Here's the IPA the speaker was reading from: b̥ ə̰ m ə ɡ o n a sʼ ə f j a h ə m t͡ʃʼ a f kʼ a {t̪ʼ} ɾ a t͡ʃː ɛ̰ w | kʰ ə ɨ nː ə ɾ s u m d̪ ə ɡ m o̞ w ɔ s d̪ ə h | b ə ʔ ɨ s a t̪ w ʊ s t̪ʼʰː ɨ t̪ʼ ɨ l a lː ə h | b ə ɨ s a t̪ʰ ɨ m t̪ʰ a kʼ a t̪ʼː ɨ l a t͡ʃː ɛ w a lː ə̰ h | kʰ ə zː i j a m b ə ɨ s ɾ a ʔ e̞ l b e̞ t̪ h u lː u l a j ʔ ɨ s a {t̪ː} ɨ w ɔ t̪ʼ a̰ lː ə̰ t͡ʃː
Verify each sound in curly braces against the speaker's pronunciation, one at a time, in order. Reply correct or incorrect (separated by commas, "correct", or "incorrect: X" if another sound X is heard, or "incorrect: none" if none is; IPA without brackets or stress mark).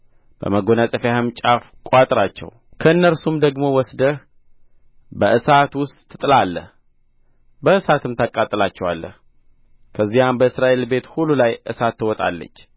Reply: correct, correct